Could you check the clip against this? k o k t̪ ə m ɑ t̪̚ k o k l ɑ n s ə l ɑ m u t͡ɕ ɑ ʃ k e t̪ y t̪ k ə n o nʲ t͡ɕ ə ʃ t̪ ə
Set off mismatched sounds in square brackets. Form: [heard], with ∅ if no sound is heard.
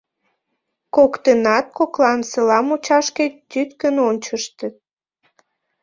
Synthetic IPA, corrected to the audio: k o k t̪ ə [n] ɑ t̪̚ k o k l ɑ n s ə l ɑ m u t͡ɕ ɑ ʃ k e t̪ y t̪ k ə n o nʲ t͡ɕ ə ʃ t̪ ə